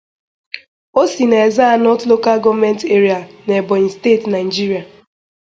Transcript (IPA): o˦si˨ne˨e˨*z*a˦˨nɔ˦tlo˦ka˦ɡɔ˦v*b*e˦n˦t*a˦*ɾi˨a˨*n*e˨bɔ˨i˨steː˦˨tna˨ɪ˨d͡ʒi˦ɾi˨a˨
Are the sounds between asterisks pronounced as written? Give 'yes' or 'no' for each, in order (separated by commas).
yes, no, no, yes